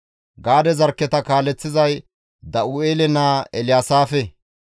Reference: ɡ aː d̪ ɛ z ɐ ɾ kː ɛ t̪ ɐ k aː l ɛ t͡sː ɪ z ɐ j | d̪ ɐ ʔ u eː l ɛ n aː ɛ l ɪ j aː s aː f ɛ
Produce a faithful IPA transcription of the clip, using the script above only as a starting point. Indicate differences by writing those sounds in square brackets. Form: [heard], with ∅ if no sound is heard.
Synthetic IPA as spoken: ɡ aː d̪ ɛ z ɐ ɾ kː ɛ t̪ ɐ k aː l ɛ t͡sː ɪ z ɐ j | d̪ ɐ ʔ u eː l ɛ n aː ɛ l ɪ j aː s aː f ɛ